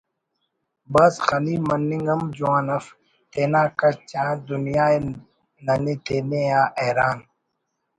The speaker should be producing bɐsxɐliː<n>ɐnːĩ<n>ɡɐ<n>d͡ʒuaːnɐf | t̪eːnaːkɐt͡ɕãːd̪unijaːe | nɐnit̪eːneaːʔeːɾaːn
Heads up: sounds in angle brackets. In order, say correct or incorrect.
incorrect, incorrect, incorrect

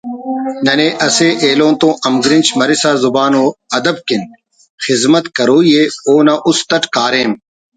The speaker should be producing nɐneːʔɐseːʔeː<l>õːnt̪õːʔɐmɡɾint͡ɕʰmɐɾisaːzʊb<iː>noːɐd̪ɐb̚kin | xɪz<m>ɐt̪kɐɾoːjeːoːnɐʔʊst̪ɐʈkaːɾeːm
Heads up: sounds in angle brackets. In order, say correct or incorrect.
correct, incorrect, correct

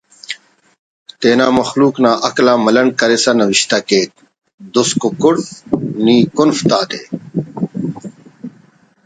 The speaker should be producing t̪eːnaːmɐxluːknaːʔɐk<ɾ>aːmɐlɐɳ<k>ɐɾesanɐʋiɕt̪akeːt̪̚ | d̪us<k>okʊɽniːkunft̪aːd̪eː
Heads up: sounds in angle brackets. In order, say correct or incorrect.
incorrect, correct, correct

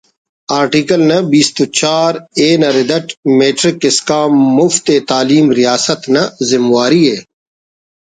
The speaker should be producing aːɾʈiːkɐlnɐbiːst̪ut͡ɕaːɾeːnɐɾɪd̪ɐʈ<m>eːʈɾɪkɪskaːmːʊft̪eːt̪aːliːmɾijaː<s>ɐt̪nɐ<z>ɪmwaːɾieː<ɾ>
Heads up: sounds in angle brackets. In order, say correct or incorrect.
correct, correct, correct, incorrect

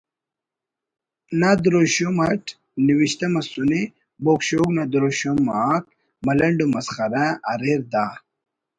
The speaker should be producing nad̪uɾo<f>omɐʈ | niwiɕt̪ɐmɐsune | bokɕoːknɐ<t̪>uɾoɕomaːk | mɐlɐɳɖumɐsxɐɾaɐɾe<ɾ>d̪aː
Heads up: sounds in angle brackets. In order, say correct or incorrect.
incorrect, incorrect, correct

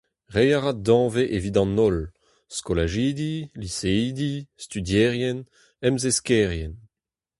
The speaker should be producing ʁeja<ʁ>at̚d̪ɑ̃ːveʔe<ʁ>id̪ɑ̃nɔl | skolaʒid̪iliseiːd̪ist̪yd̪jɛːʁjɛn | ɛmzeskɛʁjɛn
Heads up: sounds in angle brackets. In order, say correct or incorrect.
correct, incorrect

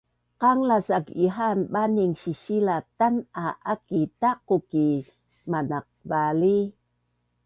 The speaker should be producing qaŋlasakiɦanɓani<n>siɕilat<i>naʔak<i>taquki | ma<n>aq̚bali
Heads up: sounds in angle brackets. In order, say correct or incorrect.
incorrect, incorrect, correct, correct

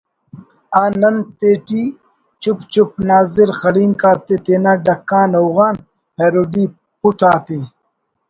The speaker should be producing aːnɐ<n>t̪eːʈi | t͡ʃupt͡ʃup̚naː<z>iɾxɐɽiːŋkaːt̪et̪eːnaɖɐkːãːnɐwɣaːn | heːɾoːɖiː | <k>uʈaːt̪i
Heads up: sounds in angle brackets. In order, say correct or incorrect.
correct, correct, incorrect

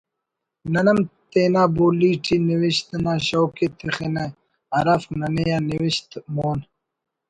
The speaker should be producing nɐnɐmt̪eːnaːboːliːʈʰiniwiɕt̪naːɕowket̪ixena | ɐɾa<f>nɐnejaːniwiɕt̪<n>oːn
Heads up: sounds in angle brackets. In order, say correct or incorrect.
correct, incorrect

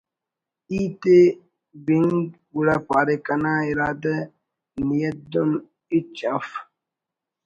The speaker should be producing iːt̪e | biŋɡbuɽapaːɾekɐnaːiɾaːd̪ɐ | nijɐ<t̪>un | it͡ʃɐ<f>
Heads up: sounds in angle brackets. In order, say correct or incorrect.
incorrect, correct

